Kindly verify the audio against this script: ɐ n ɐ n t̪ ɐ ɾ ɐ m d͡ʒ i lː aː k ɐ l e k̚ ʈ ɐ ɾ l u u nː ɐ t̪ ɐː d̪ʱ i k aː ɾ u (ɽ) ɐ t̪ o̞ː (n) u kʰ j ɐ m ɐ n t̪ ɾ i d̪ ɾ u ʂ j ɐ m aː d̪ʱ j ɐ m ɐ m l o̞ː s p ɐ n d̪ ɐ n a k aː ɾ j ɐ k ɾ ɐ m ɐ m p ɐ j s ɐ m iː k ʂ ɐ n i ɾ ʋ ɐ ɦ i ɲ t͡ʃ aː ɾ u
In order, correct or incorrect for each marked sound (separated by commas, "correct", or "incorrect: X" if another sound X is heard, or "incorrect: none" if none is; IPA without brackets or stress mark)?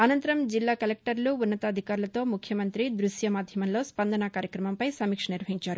incorrect: l, incorrect: m